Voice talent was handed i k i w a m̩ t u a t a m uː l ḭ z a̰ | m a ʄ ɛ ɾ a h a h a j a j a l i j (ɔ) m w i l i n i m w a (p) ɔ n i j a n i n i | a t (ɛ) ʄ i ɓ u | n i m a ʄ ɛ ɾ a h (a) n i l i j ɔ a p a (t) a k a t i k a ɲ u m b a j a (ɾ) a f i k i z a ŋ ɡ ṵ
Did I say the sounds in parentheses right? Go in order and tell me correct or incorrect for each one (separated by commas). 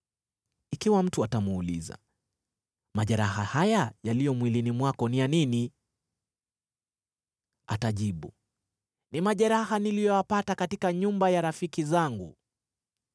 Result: correct, incorrect, incorrect, correct, correct, correct